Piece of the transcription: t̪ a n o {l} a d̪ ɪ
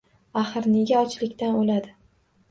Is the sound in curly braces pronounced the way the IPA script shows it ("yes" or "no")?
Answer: yes